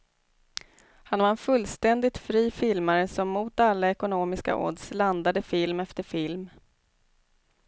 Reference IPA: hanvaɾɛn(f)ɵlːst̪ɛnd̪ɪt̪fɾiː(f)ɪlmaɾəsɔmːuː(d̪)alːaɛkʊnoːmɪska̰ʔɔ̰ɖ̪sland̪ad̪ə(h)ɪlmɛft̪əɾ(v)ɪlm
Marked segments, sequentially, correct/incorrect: correct, correct, incorrect: t̪, incorrect: f, incorrect: f

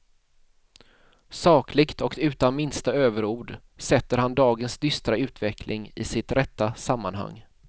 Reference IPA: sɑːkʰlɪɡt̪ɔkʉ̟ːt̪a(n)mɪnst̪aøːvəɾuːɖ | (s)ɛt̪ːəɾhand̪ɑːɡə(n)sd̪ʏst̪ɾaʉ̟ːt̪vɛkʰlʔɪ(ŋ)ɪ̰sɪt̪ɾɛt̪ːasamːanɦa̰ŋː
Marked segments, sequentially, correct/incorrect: correct, correct, correct, correct

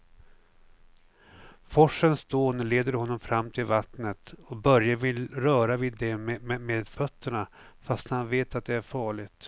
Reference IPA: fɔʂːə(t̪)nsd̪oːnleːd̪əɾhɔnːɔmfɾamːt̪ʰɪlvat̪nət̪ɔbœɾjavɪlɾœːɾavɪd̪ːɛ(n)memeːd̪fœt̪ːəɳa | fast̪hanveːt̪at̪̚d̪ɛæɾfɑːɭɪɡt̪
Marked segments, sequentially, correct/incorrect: incorrect: none, incorrect: m

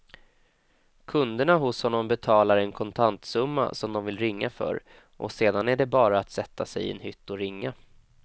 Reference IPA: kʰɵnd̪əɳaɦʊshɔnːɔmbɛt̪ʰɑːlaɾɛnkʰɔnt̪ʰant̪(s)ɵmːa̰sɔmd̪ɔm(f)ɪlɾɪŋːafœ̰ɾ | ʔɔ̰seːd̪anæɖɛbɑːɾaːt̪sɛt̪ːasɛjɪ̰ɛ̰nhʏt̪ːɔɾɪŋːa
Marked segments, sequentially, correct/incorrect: correct, incorrect: v

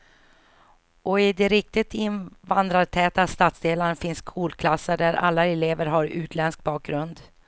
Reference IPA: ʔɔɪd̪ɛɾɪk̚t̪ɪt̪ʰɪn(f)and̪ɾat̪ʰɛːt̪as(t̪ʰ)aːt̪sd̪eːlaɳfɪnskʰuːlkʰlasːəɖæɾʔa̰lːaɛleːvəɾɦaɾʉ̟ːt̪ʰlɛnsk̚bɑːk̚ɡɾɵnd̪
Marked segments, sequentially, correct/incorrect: incorrect: v, incorrect: t̪

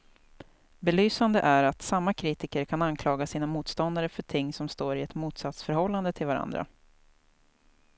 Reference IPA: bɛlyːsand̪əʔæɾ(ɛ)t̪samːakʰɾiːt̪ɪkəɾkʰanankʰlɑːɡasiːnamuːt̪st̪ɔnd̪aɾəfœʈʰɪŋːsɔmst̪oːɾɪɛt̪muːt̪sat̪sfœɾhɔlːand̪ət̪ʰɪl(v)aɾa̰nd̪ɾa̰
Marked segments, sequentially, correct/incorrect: incorrect: a, correct

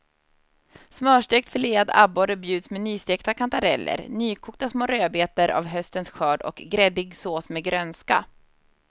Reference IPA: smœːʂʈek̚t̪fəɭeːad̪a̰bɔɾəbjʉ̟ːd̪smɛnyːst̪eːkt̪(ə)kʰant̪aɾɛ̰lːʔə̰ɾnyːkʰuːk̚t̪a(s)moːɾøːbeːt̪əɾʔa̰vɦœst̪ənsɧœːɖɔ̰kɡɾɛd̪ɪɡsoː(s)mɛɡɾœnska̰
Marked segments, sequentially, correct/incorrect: incorrect: a, correct, correct

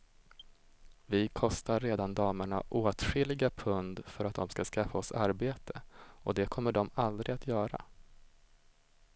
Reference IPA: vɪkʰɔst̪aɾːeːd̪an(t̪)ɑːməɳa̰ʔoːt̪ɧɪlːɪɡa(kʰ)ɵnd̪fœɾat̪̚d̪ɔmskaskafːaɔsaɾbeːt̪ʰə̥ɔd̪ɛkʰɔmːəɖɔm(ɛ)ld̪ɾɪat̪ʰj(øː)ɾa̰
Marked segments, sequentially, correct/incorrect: incorrect: d̪, incorrect: pʰ, incorrect: a, incorrect: œː

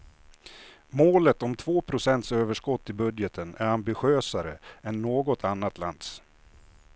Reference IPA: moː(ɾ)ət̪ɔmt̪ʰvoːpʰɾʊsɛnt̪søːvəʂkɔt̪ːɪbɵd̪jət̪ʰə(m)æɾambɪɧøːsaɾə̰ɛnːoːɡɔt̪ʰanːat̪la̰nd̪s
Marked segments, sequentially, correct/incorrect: incorrect: l, incorrect: n

